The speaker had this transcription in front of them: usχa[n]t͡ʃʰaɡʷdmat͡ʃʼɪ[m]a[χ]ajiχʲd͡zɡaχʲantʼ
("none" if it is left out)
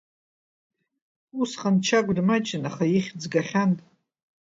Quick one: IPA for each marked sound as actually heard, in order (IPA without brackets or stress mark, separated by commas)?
n, n, χ